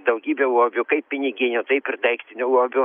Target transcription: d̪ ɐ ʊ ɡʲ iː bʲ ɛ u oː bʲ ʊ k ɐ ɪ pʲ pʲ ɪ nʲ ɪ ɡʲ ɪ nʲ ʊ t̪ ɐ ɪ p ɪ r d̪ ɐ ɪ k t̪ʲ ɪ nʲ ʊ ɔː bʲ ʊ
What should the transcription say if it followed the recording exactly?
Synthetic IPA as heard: d̪ ɐ ʊ ɡʲ iː bʲ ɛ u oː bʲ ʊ k ɐ ɪ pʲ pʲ ɪ nʲ ɪ ɡʲ ɪ nʲ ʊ t̪ ɐ ɪ p ɪ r d̪ ɐ ɪ k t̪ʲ ɪ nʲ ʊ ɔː bʲ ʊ